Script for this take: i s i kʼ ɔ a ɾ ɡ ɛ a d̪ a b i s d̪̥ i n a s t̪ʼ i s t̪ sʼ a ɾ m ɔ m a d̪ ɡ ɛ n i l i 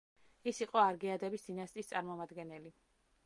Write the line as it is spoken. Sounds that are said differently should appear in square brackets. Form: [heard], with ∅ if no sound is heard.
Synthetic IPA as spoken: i s i [qʼ] ɔ a ɾ ɡ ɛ a d̪ [ɛ] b i s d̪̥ i n a s t̪ʼ i s t̪ sʼ a ɾ m ɔ m a d̪ ɡ ɛ n [ɛ] l i